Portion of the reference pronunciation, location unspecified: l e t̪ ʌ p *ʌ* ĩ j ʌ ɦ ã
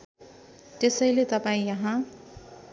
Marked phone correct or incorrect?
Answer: incorrect